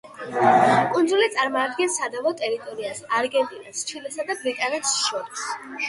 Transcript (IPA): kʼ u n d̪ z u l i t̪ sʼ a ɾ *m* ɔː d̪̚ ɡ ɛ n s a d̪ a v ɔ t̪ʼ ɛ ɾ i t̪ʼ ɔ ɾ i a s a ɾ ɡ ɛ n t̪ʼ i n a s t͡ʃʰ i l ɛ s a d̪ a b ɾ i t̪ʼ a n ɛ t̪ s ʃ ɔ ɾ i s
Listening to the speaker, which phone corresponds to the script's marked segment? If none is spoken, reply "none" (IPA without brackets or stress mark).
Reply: m